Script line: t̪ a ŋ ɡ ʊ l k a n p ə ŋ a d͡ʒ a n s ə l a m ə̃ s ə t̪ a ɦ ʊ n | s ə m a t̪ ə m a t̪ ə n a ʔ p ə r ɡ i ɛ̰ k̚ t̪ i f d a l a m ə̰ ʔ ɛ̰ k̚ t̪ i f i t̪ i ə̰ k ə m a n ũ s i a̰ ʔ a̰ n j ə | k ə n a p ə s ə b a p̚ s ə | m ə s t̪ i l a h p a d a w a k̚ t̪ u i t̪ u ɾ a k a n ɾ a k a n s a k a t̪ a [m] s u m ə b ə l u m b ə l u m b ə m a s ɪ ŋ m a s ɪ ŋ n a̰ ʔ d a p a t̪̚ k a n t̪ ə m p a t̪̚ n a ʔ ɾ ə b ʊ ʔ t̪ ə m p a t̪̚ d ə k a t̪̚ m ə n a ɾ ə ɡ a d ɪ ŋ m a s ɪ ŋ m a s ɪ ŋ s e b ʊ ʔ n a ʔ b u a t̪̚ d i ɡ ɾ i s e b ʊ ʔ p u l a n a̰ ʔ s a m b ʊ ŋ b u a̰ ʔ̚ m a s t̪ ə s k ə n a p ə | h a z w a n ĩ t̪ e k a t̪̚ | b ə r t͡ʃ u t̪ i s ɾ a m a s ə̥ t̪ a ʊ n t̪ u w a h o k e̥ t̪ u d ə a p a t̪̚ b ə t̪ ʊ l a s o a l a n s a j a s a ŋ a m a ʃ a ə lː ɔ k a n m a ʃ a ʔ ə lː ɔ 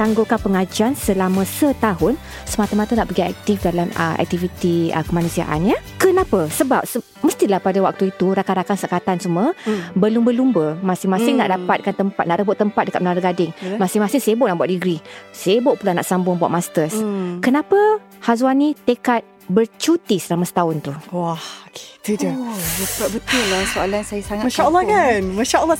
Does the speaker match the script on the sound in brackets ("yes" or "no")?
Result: no